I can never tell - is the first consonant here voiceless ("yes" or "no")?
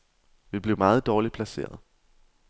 no